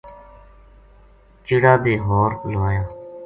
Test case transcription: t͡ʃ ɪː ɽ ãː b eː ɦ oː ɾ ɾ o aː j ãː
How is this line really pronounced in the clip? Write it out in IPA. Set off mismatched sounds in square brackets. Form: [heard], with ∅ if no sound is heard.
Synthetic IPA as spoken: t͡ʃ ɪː ɽ [aː] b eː ɦ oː ɾ [l] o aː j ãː